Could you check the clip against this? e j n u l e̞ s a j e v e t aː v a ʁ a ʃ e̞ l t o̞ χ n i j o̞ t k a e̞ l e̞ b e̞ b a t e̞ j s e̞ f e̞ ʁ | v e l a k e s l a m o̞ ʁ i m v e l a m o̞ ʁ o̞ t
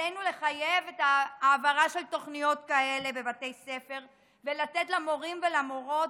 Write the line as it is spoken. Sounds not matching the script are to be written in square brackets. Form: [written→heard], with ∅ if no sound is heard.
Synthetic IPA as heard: e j n u l e̞ [s→χ] a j e v e t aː v a ʁ a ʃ e̞ l t o̞ χ n i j o̞ t k a e̞ l e̞ b e̞ b a t e̞ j s e̞ f e̞ ʁ | v e l a [k→t] e [s→t] l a m o̞ ʁ i m v e l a m o̞ ʁ o̞ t

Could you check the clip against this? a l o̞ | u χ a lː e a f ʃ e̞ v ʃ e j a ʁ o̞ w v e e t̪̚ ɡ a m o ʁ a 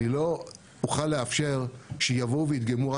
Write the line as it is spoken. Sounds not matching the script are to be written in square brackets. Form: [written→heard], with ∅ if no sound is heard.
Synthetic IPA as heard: [a→i] l o̞ | u χ a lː e a f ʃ e̞ [v→ʁ] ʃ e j a [ʁ→v] o̞ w v e [e→i] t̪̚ ɡ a m [o→u] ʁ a

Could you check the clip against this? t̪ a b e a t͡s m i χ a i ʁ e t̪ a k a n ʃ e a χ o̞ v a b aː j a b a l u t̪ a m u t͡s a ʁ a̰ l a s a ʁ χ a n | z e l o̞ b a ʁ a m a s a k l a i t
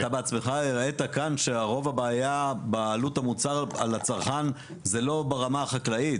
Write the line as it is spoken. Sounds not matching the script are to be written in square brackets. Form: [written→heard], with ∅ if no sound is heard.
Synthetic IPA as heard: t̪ a b e a t͡s m [i→e] χ a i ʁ e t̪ a k a n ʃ e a [χ→ʁ] o̞ v a b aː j a b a l u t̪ a m u t͡s a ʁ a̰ l a [s→t͡s] a ʁ χ a n | z e l o̞ b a ʁ a m a [s→χ] a k l a i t

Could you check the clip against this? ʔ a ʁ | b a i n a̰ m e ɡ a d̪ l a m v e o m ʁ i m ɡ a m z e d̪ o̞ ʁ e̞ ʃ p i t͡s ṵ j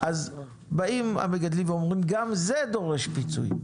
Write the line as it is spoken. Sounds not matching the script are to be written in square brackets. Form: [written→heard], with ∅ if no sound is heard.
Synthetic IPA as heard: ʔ a [ʁ→z] | b a i [n→m] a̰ m e ɡ a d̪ l [a→i] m v e o m ʁ i m ɡ a m z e d̪ o̞ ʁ e̞ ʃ p i t͡s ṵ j

